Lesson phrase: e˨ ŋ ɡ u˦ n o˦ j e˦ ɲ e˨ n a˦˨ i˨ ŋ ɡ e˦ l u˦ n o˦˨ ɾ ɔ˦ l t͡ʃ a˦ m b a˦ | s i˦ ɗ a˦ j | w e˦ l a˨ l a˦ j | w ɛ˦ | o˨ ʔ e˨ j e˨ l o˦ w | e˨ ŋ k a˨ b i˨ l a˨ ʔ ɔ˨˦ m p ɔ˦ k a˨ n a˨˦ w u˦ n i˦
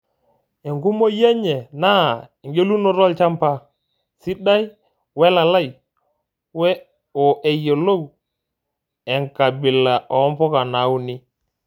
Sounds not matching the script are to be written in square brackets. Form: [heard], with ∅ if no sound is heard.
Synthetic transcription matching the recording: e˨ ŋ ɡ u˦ [m] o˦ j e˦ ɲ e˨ n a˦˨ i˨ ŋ ɡ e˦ l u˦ n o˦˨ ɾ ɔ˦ l t͡ʃ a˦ m [p] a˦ | s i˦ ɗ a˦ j | w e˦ l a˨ l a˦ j | w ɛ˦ | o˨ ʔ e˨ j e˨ l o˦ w | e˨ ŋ k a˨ b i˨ l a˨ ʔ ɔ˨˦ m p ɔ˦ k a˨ n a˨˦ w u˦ n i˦

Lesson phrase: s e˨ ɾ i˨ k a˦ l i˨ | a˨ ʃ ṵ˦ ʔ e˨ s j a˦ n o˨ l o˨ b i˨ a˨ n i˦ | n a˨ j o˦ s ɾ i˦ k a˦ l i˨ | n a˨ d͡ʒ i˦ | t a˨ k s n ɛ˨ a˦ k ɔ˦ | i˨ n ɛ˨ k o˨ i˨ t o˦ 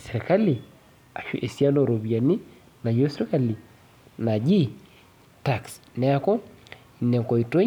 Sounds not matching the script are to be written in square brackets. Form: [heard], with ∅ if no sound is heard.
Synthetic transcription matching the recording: s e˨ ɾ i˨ k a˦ l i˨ | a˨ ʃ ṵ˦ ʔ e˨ s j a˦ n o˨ [ɾ] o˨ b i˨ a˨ n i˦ | n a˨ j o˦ s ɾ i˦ k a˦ l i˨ | n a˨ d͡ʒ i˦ | t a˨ k s n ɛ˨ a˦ k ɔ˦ | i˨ n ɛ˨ k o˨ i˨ t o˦

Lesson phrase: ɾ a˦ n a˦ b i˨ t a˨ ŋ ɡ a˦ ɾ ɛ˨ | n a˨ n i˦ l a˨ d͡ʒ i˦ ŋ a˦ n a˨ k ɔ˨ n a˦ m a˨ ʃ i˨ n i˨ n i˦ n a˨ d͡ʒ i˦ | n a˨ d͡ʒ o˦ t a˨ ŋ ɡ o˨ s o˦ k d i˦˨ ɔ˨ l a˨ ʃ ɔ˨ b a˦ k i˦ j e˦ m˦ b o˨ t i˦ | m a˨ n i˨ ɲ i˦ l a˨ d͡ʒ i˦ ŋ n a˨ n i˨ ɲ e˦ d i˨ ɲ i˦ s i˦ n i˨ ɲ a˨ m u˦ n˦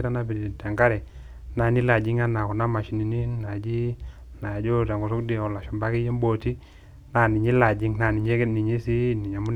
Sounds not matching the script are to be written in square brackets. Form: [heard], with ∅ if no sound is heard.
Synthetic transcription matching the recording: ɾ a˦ n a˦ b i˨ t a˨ ŋ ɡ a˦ ɾ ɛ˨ | n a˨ n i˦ l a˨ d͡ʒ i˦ ŋ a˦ n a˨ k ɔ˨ n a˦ m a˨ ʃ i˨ n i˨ n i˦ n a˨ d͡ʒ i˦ | n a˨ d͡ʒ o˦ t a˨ ŋ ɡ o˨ s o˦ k d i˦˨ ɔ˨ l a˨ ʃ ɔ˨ b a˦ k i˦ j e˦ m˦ b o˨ t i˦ | [n] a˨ n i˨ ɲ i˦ l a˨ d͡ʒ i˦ ŋ n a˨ n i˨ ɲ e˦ [n] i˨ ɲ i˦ s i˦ n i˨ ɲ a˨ m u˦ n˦

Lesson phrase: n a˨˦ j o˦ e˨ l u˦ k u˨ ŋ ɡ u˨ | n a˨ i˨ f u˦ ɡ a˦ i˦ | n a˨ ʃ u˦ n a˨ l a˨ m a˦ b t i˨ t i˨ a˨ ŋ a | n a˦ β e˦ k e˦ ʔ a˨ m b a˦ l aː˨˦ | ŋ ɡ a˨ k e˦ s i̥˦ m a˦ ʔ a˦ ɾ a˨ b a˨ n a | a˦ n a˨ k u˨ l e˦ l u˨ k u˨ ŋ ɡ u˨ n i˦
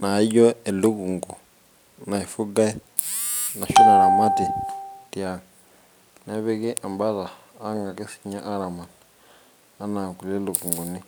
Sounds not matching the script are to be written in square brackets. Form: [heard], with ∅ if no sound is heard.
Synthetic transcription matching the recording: n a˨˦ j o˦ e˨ l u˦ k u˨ ŋ ɡ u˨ | n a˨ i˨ f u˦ ɡ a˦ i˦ | n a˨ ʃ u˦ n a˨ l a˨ m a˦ [∅] t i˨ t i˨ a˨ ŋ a | n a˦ β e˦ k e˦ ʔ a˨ m b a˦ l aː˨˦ | ŋ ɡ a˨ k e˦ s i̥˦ [ɲ] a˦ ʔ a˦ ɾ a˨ [m] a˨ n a | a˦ n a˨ k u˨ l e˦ l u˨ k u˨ ŋ ɡ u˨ n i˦

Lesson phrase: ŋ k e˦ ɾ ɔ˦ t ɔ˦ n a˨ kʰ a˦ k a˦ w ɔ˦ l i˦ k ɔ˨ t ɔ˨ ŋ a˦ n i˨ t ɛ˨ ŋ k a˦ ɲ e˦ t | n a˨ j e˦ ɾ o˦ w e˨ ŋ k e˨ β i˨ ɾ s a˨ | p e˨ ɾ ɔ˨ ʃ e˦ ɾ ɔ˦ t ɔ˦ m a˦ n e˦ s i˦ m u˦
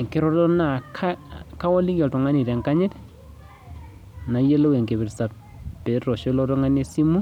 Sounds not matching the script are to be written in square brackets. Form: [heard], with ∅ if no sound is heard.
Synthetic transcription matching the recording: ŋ k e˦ ɾ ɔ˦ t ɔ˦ n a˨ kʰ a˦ k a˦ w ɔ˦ l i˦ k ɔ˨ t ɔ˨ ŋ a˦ n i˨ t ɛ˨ ŋ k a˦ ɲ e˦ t | n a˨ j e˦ [l] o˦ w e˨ ŋ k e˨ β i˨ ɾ s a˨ | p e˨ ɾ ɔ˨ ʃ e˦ [l] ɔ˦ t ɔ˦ [ŋ] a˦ n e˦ s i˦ m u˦

